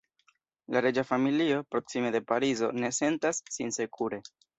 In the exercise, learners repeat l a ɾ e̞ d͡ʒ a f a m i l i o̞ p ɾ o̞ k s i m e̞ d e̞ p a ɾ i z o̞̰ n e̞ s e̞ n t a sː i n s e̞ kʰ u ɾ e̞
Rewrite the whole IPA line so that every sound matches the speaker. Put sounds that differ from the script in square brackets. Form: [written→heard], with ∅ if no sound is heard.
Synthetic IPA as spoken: l a ɾ e̞ d͡ʒ a f a m i l i o̞ p ɾ o̞ k s i m e̞ d e̞ p a ɾ i z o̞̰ n e̞ s e̞ n t a sː i n s e̞ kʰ u ɾ e̞